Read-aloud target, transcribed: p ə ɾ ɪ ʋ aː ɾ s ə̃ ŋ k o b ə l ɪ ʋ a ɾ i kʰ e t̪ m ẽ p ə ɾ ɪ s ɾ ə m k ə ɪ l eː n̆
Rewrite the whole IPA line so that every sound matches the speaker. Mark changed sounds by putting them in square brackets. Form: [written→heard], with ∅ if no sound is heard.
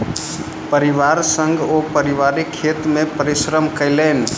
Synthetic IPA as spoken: p ə ɾ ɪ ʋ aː ɾ s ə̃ ŋ [k→ɡ] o [b→p] ə [l→ɾ] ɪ ʋ a ɾ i kʰ e t̪ m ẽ p ə ɾ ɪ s ɾ ə m k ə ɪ l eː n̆